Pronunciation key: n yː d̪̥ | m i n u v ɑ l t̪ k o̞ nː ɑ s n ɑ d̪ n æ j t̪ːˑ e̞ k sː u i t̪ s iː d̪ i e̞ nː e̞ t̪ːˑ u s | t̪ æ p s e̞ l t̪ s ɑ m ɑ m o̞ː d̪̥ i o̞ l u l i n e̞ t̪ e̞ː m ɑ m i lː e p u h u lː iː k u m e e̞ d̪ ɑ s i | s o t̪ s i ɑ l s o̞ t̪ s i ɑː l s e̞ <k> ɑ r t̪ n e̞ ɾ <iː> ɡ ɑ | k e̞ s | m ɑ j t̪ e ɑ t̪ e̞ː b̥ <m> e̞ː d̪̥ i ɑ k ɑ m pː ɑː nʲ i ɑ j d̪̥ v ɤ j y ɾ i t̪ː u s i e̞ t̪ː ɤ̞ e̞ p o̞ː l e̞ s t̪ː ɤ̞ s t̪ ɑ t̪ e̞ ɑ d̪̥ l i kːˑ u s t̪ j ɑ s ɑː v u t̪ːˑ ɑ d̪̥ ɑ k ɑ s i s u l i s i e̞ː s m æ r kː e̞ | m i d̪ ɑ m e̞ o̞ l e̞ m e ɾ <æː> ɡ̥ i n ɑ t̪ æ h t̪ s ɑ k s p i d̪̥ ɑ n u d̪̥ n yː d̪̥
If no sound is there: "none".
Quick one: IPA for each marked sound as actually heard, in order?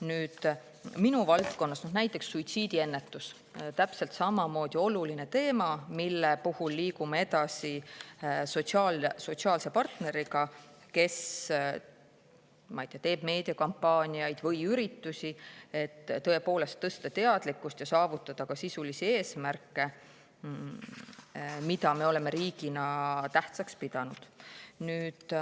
p, i, m, iː

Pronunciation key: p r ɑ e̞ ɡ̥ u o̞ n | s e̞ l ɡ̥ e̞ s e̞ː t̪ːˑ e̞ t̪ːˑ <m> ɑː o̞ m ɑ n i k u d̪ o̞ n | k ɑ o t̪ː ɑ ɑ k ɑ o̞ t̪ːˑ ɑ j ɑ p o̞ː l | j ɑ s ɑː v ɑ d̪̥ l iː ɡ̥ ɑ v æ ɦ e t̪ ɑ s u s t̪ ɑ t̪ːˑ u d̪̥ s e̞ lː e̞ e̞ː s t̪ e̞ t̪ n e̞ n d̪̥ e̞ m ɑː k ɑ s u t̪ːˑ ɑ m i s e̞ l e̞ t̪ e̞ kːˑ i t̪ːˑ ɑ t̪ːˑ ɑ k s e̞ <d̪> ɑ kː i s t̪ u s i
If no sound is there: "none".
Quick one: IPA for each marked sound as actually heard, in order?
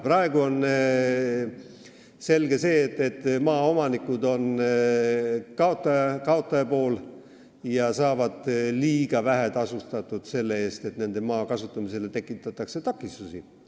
m, t̪

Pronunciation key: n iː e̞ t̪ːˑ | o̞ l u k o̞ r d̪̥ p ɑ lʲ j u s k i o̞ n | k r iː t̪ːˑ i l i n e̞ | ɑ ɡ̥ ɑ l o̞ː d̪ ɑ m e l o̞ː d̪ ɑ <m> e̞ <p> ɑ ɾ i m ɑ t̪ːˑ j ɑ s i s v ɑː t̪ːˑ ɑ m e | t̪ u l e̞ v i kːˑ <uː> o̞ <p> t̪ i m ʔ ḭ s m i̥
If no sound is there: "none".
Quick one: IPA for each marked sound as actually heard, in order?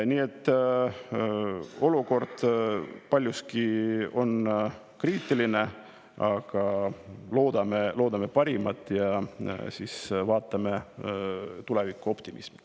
m, p, u, p

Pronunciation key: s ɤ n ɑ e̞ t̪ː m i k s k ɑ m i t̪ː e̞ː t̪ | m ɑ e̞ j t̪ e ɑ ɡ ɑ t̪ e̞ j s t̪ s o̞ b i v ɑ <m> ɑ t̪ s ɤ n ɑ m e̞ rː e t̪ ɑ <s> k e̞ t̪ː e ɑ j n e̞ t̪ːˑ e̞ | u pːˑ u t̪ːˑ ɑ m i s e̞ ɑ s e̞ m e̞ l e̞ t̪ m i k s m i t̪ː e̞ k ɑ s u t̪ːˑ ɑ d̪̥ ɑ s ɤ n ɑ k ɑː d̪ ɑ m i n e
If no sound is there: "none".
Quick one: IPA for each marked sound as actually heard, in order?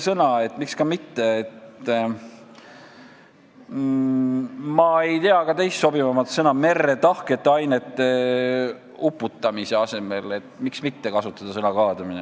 m, h

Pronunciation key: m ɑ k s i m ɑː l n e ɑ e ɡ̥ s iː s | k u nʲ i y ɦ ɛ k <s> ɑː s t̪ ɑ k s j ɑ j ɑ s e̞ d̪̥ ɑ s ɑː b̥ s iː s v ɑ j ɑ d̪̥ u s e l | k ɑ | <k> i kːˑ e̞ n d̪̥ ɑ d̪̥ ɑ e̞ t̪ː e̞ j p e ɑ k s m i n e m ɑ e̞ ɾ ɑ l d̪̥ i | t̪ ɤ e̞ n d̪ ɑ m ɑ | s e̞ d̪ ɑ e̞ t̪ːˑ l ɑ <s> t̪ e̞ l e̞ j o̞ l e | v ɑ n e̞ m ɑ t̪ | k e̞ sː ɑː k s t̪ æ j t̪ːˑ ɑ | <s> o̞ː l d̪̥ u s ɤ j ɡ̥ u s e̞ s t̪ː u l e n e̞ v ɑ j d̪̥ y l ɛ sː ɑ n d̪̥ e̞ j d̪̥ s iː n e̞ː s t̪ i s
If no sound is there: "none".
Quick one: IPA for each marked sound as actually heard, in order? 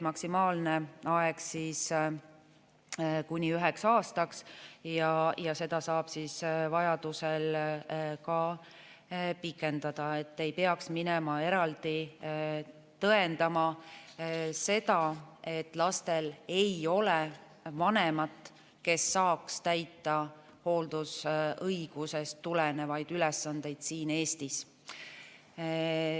s, p, s, h

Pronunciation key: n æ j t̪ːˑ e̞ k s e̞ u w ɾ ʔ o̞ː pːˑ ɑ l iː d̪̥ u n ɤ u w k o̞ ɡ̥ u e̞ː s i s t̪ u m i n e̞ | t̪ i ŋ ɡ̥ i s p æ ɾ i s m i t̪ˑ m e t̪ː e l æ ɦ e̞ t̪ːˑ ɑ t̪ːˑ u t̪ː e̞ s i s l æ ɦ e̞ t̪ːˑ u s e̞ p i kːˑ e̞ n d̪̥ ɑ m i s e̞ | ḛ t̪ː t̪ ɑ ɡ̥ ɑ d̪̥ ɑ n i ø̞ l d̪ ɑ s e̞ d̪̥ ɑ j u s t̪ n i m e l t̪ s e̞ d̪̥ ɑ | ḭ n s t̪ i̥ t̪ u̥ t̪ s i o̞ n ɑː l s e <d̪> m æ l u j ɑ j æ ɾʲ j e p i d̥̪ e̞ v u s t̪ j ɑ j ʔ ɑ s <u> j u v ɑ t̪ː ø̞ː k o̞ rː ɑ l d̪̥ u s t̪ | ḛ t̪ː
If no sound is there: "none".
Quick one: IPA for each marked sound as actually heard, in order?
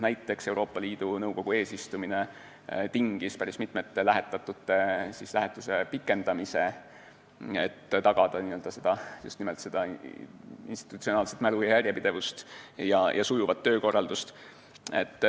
t̪, u

